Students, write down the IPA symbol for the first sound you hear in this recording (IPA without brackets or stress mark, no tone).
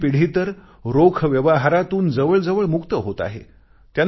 p